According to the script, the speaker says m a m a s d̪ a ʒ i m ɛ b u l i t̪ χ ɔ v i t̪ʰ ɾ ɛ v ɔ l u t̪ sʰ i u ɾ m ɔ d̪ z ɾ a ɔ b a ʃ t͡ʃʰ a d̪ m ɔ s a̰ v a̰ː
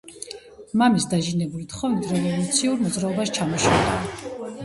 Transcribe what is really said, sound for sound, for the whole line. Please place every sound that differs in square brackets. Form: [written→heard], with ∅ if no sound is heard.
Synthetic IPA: m a m [a→i] s d̪ a ʒ i [m→n] ɛ b u l i t̪ χ ɔ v i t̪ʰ ɾ ɛ v ɔ l u t̪ sʰ i u ɾ m ɔ d̪ z ɾ a ɔ b a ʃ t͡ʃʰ a [d̪→∅] m ɔ [s→ʃ] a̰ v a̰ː